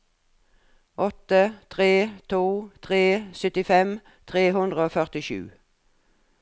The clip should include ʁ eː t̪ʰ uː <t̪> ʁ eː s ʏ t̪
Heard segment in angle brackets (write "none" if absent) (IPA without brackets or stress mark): t̪ʰ